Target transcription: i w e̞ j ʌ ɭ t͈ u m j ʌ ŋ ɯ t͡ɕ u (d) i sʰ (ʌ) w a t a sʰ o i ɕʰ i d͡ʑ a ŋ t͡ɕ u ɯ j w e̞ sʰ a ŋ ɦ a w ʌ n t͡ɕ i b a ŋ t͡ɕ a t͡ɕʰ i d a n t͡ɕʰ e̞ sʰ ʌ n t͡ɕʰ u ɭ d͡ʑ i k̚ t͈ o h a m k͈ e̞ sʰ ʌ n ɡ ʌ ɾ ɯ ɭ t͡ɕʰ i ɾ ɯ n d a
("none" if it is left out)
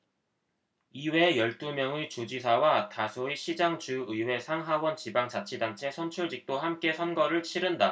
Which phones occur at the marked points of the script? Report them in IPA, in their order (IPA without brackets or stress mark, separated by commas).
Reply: d͡ʑ, a